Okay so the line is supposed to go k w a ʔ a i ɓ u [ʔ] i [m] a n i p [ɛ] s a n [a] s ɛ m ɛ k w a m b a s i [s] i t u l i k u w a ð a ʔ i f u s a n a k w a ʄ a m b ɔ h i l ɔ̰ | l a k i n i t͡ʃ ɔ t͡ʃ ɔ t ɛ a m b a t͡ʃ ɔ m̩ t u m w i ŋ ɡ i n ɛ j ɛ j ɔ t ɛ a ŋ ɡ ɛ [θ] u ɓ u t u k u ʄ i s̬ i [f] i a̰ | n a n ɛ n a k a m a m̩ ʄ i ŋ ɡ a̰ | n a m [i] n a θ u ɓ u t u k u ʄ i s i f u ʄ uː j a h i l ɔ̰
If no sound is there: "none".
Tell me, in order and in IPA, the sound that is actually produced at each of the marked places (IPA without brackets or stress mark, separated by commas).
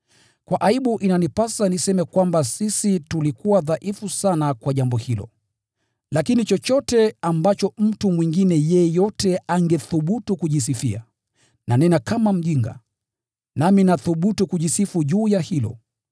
ʔ, n, a, i, s, θ, f, i